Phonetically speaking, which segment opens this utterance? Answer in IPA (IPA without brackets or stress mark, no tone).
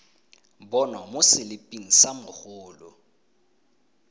b